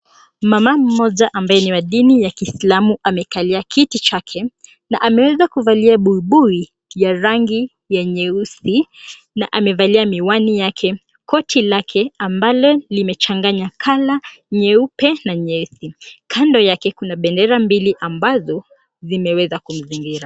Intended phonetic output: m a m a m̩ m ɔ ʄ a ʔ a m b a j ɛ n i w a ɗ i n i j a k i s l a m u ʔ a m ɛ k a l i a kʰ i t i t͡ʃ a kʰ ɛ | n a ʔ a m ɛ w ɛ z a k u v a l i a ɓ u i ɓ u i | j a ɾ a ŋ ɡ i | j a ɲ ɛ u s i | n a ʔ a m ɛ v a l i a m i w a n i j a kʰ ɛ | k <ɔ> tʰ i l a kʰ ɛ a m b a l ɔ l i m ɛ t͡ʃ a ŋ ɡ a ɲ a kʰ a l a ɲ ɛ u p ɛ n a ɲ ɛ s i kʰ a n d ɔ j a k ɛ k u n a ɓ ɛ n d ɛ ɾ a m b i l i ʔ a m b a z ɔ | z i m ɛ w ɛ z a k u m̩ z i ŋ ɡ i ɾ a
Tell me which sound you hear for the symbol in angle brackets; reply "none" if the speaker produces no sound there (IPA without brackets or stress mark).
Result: ɔ